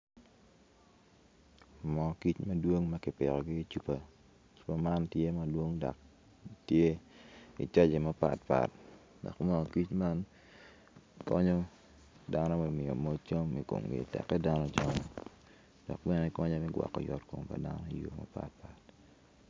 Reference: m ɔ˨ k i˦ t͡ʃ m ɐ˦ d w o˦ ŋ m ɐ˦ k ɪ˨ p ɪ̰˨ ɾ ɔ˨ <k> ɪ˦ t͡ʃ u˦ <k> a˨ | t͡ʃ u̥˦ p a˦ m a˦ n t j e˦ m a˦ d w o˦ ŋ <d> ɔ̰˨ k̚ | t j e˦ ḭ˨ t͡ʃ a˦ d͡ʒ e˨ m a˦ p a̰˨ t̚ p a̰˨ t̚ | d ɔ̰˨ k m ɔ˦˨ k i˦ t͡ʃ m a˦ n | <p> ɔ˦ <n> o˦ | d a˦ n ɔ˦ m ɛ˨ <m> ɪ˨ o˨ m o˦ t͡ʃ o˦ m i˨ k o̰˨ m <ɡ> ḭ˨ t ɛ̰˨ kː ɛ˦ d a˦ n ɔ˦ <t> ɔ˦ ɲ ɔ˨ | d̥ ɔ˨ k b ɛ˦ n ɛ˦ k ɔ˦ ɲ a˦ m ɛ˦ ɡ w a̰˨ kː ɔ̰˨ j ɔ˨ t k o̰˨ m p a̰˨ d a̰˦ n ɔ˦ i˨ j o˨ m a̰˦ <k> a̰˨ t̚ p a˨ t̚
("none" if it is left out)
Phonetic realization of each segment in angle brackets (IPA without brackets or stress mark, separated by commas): ɡ, p, d, k, ɲ, m, ɡ, t͡ʃ, p